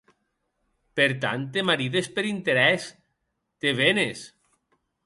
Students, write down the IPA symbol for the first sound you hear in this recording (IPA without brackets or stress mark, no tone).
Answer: p